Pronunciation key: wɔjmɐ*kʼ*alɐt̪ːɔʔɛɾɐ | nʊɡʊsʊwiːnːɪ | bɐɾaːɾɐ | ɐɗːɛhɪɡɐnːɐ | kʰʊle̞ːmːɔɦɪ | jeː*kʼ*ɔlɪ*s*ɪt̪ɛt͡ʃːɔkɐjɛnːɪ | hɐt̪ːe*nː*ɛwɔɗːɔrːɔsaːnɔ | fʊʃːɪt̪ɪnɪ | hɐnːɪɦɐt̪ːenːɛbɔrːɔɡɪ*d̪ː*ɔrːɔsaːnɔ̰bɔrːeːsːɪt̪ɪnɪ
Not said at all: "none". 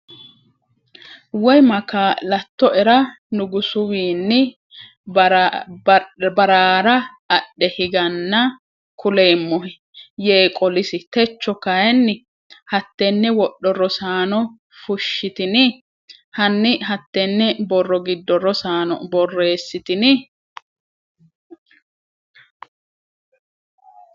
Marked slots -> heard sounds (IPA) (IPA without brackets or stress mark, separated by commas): k, kʼ, s, nː, d̪ː